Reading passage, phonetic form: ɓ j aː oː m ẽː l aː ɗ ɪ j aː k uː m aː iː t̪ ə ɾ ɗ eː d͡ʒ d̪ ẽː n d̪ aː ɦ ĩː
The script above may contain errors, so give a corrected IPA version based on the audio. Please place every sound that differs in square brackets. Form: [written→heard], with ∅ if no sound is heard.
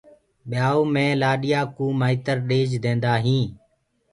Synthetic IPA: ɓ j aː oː m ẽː l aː ɗ ɪ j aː k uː m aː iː t̪ ə ɾ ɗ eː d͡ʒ d̪ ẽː n d̪ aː ɦ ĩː